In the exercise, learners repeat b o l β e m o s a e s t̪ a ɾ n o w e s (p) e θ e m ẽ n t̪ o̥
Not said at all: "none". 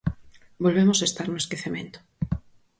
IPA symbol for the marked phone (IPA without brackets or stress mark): k